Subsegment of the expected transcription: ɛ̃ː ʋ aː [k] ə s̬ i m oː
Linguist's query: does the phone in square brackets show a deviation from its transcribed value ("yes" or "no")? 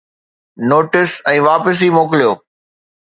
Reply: yes